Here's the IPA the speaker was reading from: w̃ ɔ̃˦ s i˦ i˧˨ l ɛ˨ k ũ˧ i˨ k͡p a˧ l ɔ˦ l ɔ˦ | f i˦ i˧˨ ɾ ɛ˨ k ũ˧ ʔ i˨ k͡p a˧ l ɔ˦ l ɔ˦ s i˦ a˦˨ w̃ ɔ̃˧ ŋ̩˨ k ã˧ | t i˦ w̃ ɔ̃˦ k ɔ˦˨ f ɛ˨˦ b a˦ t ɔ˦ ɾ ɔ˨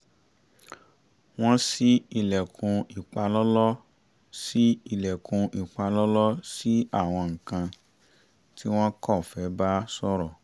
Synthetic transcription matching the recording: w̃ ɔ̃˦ s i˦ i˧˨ l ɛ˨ k ũ˧ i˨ k͡p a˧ l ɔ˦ l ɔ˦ | s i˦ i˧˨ l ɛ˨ k ũ˧ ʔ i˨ k͡p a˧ l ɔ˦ l ɔ˦ s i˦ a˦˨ w̃ ɔ̃˧ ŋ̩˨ k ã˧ | t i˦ w̃ ɔ̃˦ k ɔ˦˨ f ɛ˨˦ b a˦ s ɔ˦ ɾ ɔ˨